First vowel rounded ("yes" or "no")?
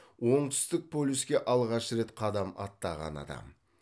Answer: yes